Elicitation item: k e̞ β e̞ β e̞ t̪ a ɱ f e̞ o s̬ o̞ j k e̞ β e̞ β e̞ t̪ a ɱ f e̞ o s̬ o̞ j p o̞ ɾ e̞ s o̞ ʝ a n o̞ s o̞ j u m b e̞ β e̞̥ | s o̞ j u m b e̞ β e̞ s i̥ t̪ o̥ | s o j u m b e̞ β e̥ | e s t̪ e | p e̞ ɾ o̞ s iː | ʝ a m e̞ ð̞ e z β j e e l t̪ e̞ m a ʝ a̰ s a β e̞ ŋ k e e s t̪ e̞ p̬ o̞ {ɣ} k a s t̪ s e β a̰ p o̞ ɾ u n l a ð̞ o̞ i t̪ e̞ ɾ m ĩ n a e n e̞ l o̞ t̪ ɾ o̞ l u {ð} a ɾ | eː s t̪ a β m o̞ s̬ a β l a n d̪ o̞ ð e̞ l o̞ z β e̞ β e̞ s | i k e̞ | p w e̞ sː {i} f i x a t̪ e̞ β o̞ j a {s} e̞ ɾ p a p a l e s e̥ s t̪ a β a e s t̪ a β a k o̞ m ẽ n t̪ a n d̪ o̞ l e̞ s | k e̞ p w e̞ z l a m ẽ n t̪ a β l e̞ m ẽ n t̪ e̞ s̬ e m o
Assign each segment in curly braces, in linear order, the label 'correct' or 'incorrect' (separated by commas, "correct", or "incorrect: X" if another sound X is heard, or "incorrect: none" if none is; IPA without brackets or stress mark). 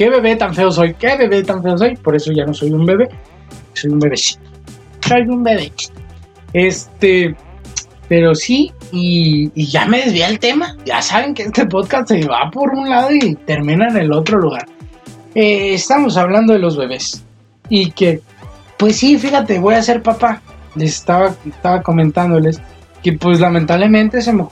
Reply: incorrect: ð, incorrect: ɣ, correct, correct